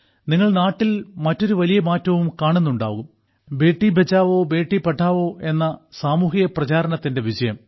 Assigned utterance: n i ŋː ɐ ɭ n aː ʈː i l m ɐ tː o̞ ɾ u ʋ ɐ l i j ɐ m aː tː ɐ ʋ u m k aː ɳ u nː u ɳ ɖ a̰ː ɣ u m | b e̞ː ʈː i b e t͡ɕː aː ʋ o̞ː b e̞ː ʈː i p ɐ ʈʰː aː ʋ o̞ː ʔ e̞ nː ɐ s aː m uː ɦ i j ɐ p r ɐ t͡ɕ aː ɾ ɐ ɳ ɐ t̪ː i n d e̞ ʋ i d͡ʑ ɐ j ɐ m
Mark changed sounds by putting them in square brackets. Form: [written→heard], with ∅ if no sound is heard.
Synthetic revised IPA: n i ŋː ɐ ɭ n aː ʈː i l m ɐ tː o̞ ɾ u ʋ ɐ l i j ɐ m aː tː ɐ ʋ u m k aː ɳ u nː u ɳ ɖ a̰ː ɣ u m | b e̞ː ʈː i b e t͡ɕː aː ʋ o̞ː b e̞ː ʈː i p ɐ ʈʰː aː ʋ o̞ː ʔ e̞ nː ɐ s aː m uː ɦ i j ɐ p r ɐ t͡ɕ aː ɾ ɐ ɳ ɐ t̪ː i n d e̞ ʋ i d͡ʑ ɐ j ɐ m